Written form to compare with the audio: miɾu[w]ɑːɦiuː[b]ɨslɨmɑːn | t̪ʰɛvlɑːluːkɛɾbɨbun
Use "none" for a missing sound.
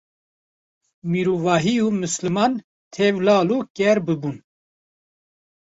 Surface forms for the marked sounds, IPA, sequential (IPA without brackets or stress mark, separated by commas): v, m